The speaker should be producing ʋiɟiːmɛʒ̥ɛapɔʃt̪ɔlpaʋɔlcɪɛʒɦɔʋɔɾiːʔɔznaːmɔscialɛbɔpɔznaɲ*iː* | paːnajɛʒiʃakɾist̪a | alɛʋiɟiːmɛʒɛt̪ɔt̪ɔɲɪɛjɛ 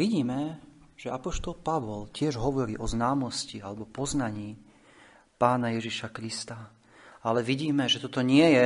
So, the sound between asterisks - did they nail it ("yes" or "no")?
yes